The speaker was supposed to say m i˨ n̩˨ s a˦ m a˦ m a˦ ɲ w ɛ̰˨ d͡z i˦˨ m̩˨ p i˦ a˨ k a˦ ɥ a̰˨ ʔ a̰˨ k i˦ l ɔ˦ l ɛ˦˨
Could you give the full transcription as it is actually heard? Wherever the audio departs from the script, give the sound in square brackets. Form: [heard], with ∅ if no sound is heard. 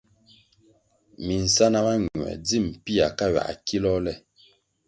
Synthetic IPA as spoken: m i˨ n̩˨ s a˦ [n] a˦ m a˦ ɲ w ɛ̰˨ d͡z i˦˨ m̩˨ p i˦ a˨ k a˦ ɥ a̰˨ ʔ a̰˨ k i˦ l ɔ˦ l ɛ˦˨